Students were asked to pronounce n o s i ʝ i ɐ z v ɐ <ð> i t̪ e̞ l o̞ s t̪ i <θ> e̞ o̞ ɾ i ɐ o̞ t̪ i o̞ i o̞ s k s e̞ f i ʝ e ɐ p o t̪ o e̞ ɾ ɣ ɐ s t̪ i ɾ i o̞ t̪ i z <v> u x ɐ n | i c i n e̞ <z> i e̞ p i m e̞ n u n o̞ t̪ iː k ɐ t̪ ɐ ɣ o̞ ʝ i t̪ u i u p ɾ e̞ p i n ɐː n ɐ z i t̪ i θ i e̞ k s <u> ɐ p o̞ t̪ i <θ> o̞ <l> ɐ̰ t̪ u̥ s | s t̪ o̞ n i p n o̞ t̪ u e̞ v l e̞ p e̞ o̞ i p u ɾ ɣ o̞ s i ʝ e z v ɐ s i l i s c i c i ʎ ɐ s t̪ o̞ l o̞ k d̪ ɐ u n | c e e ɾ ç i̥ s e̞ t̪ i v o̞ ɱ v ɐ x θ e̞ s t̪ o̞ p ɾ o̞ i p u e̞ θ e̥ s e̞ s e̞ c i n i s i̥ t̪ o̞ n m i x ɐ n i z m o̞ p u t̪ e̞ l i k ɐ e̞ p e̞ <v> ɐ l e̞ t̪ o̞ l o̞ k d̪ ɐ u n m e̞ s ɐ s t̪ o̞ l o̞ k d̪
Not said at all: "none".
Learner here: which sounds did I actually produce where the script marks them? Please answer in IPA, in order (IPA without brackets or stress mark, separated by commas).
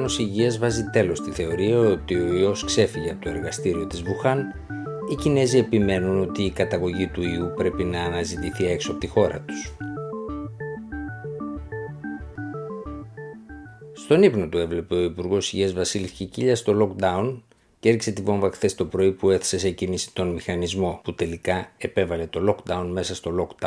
z, θ, v, z, o, x, ɾ, v